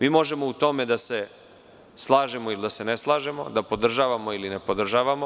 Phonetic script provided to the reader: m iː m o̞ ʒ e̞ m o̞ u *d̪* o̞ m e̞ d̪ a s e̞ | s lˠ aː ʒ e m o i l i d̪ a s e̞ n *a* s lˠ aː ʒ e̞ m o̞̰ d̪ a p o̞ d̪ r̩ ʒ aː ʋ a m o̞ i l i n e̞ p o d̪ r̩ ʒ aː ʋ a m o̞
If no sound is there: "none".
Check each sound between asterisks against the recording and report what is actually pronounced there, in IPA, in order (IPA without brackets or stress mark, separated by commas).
t̪, e